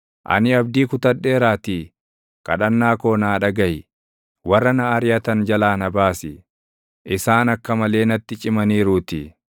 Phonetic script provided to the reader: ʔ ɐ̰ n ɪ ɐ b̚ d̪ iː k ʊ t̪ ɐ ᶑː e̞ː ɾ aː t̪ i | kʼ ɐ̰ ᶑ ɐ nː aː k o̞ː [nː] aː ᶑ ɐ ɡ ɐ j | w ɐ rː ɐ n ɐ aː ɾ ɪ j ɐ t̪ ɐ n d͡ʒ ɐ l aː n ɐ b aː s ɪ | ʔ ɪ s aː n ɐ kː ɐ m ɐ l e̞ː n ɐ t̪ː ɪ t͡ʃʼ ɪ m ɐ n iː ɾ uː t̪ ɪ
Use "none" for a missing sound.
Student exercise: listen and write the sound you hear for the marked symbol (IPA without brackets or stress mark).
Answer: n